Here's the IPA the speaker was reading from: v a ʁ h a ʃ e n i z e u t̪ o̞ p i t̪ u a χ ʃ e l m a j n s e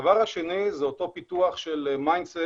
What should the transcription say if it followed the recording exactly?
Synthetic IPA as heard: v a ʁ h a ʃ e n i z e o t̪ o̞ p i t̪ u a χ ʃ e l m a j n s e